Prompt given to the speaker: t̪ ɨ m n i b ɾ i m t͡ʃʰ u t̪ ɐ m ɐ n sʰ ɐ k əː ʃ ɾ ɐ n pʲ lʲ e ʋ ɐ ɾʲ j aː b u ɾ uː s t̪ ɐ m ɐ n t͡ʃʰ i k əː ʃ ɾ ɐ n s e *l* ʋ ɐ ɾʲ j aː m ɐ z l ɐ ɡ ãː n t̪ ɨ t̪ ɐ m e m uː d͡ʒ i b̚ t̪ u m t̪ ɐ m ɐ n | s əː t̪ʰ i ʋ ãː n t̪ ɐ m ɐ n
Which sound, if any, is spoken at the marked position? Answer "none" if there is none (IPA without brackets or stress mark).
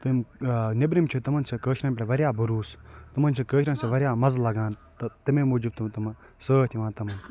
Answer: none